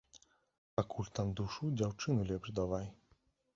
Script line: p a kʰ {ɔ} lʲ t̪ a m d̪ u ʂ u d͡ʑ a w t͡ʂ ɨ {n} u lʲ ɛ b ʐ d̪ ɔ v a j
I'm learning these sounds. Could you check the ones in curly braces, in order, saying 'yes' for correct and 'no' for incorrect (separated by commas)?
no, yes